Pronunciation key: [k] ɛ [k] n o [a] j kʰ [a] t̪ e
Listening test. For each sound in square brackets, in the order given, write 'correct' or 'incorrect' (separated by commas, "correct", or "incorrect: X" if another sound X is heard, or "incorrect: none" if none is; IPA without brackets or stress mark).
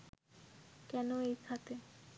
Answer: correct, incorrect: none, incorrect: e, correct